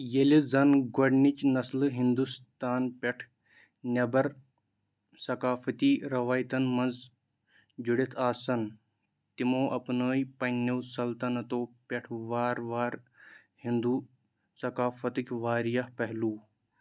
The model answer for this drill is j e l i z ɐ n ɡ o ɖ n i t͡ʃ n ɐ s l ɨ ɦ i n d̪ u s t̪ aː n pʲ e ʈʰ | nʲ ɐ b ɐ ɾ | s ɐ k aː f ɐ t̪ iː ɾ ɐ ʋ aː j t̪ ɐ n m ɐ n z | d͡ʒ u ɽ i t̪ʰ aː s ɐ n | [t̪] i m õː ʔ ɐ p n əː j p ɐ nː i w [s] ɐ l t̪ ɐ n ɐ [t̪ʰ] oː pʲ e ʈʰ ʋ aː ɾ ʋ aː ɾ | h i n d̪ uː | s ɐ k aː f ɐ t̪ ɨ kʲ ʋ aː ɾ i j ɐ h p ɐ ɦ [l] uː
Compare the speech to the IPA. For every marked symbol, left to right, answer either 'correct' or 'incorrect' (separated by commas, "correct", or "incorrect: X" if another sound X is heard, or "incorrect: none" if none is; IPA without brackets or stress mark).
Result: correct, correct, incorrect: t̪, correct